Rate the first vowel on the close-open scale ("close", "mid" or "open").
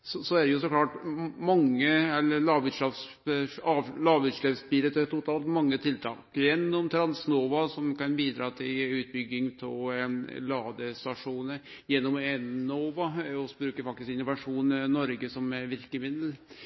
mid